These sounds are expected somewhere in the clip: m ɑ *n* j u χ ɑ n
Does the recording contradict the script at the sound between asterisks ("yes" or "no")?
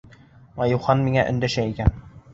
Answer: yes